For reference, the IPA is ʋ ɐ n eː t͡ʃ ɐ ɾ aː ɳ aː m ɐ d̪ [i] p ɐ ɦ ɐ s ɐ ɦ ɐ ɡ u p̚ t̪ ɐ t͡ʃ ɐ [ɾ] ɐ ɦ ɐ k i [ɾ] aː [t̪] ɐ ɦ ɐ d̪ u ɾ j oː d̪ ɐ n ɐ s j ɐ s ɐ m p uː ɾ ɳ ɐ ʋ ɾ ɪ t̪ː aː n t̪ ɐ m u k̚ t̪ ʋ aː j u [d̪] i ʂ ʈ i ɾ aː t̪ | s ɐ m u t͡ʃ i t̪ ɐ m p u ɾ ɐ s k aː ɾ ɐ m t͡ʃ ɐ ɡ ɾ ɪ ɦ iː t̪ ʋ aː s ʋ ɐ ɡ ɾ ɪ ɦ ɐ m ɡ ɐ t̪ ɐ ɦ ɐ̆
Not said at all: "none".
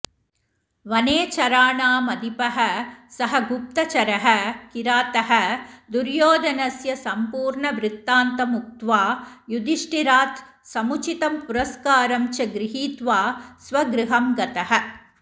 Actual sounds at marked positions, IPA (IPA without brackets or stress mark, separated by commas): i, ɾ, ɾ, t̪, d̪